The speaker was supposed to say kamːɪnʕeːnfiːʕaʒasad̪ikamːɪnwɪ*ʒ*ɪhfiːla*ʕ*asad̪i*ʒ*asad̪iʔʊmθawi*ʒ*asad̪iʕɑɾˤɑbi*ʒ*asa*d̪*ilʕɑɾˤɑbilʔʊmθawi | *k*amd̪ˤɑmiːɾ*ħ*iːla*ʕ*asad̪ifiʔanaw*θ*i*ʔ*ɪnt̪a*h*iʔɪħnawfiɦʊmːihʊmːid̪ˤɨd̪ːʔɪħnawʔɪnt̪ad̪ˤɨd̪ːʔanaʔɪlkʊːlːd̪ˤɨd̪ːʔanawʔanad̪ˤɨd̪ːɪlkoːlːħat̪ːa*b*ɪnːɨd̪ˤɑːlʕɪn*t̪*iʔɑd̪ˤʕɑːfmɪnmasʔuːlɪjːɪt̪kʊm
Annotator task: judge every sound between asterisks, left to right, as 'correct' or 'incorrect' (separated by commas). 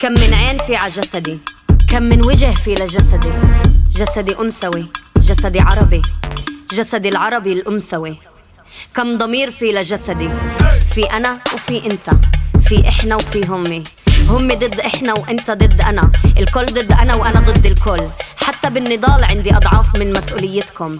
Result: correct, incorrect, correct, correct, correct, correct, correct, incorrect, incorrect, incorrect, correct, incorrect, correct, incorrect